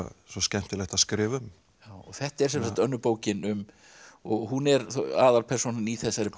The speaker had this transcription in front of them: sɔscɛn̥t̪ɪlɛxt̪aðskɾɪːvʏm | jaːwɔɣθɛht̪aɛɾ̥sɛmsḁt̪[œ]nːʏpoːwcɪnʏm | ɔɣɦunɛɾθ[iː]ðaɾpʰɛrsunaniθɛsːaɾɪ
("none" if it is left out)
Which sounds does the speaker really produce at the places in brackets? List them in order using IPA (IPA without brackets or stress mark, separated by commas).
œ, aː